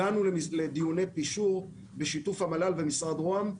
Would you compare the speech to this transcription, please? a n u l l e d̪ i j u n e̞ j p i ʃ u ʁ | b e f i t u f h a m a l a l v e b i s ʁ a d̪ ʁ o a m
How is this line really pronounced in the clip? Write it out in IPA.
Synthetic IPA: a n u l l e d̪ i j u n e̞ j p i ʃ u ʁ | b e ʃ i t u f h a m a l a l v e m i s ʁ a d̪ ʁ o a m